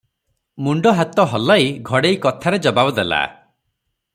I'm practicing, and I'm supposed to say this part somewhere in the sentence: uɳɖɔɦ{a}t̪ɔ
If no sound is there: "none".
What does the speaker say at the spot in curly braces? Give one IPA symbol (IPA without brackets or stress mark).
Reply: a